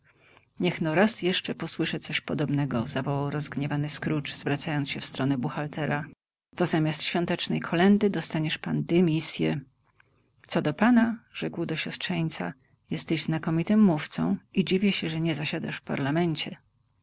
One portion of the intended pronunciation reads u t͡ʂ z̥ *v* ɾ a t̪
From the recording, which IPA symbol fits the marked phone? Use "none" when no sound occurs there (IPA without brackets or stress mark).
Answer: v